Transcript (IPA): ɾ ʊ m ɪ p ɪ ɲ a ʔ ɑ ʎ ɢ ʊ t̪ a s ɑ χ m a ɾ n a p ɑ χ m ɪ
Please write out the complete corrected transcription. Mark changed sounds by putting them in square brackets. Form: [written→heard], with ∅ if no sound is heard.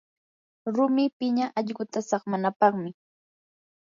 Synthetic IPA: ɾ ʊ m ɪ p ɪ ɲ a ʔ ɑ ʎ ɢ ʊ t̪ a s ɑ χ m a [ɾ→∅] n a p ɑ χ m ɪ